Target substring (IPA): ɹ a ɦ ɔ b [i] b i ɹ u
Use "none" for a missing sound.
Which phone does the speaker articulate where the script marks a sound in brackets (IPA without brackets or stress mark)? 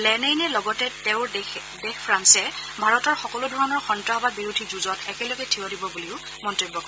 a